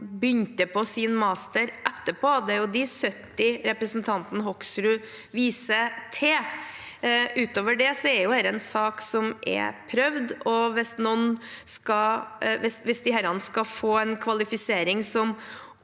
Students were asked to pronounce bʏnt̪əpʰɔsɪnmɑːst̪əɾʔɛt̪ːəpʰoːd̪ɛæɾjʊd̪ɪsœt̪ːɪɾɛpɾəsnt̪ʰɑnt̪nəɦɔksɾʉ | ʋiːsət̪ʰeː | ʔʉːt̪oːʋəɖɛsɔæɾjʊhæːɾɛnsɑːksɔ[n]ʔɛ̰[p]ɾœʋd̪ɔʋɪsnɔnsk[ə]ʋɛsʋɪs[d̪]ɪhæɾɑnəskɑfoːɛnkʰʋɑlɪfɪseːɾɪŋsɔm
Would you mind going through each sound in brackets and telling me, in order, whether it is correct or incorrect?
incorrect, incorrect, incorrect, correct

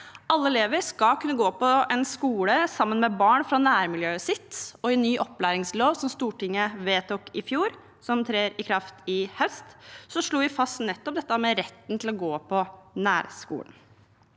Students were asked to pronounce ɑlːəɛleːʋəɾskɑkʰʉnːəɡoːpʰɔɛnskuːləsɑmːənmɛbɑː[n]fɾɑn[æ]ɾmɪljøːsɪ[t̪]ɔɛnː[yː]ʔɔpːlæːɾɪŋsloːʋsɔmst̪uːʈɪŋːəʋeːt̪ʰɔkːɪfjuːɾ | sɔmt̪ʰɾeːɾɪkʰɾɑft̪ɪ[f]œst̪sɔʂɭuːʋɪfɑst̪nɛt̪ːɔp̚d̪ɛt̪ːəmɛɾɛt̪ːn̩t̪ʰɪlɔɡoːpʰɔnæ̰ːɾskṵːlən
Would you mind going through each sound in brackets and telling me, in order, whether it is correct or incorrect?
incorrect, incorrect, correct, correct, incorrect

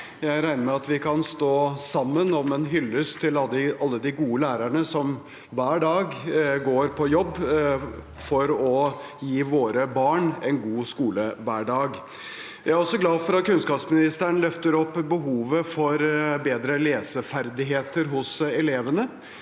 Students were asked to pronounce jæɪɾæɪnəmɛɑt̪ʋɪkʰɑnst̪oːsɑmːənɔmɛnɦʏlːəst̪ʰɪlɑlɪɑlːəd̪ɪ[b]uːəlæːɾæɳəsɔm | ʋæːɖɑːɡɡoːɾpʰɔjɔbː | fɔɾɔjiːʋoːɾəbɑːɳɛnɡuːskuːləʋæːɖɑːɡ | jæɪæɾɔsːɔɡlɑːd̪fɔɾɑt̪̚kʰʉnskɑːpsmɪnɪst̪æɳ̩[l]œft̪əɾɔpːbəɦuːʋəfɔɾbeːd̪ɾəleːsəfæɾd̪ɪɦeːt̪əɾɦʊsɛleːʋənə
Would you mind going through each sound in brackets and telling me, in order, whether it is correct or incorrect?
incorrect, correct

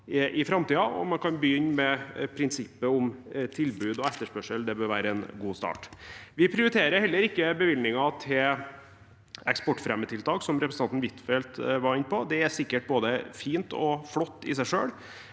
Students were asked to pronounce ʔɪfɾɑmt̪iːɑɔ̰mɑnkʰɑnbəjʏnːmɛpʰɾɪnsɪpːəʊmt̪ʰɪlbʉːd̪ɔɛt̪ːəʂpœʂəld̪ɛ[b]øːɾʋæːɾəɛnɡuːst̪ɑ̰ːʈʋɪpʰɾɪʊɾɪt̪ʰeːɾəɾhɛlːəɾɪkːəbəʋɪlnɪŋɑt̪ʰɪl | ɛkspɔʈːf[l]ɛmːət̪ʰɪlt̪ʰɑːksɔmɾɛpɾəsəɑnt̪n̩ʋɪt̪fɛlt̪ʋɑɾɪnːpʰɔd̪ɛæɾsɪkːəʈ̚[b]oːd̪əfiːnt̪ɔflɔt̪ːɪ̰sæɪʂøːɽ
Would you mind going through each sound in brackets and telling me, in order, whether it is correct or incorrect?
correct, incorrect, correct

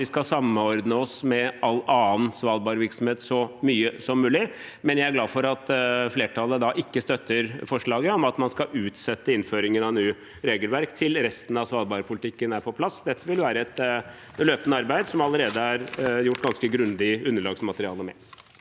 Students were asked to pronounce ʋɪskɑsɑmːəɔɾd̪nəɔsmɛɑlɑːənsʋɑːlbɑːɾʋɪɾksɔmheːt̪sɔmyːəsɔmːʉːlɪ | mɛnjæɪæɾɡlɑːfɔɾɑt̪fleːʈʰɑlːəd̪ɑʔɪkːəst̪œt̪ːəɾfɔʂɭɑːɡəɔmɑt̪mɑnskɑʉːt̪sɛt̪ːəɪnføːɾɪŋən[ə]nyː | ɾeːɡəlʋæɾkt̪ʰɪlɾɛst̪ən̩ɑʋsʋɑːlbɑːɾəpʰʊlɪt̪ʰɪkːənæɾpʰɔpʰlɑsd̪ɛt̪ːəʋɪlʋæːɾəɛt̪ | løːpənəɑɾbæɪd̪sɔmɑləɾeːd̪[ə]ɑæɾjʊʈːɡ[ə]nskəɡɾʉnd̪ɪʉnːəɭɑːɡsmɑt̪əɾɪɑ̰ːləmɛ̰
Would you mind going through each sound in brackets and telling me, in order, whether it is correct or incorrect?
incorrect, correct, incorrect

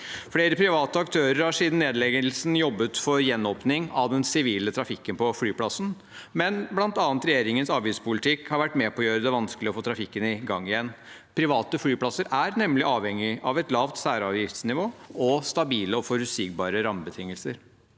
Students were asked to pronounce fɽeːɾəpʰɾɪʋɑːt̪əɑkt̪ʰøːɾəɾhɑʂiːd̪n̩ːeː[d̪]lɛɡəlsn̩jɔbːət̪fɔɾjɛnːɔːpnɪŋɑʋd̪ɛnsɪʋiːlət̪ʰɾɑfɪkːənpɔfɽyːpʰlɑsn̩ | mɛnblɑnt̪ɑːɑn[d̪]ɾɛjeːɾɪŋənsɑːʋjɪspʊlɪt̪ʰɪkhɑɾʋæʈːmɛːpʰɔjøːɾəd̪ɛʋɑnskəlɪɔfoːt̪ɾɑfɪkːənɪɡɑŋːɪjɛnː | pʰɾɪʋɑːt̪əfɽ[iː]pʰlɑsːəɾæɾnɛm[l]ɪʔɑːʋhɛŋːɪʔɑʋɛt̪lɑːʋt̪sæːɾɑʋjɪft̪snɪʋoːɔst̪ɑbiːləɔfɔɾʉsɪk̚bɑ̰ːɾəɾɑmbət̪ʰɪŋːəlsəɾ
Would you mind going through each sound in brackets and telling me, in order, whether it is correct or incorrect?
correct, incorrect, incorrect, correct

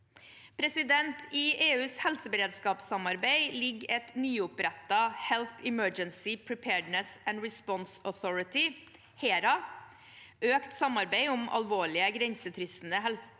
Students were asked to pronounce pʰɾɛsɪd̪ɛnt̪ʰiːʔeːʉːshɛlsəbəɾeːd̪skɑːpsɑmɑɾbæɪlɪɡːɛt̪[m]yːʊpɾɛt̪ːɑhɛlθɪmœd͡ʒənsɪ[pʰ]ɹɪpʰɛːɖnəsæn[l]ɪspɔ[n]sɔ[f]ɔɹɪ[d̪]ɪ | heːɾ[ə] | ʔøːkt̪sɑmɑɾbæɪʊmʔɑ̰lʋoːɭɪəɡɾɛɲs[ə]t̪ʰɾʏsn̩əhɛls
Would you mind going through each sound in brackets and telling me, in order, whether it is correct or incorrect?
incorrect, correct, incorrect, correct, incorrect, incorrect, incorrect, correct

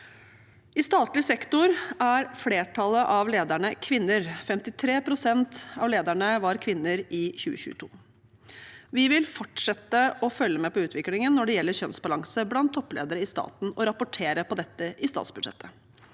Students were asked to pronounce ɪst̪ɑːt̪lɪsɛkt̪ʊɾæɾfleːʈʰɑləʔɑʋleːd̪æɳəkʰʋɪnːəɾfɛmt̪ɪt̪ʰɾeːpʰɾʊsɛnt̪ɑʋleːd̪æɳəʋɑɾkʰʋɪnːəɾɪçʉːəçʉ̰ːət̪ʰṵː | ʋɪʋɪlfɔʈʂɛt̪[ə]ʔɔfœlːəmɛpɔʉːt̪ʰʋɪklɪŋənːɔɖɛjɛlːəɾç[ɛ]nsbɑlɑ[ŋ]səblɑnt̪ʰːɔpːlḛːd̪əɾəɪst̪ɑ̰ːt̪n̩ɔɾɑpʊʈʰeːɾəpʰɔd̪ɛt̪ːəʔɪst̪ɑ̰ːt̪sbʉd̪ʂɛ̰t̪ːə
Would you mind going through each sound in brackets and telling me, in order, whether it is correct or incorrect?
correct, incorrect, correct

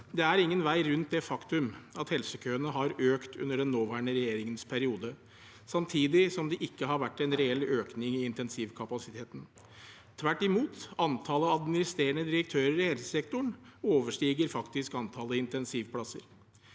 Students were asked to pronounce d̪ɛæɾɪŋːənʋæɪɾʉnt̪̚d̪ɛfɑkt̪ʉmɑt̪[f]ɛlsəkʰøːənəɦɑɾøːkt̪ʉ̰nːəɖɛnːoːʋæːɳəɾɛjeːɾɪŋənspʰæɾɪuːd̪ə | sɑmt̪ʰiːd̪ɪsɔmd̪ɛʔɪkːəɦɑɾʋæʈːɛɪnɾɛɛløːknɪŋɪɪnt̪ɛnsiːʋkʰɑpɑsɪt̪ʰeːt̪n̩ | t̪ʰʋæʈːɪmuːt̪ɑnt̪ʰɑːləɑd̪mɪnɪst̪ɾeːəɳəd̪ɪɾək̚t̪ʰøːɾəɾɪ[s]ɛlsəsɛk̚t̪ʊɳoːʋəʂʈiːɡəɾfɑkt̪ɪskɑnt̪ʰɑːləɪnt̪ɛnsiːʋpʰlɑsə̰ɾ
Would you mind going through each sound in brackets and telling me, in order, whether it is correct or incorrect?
incorrect, incorrect

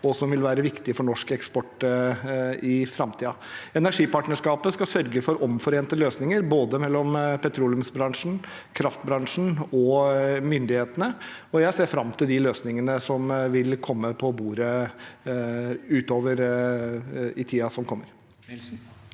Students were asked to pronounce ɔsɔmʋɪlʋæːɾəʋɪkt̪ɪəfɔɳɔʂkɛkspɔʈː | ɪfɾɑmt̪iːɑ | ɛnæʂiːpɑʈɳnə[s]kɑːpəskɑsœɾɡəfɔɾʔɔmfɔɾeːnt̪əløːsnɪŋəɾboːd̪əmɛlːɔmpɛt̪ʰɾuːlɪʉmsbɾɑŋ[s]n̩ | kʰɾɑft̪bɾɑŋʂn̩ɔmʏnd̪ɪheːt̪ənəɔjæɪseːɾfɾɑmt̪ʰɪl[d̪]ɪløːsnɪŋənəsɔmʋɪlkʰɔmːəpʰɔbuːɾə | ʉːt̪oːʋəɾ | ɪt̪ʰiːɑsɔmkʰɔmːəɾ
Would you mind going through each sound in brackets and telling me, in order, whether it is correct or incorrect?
incorrect, incorrect, correct

